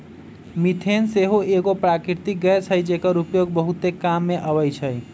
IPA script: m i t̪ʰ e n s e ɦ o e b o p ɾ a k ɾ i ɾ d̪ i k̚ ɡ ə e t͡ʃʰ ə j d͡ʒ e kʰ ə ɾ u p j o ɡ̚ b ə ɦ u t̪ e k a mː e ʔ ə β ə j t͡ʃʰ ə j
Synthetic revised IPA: m i t̪ʰ e n s e ɦ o e ɡ o p ɾ a k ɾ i ɾ t̪ i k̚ ɡ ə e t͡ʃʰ ə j d͡ʒ e k ə ɾ u p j o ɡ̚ b ə ɦ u t̪ e k a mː e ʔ ə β ə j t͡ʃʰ ə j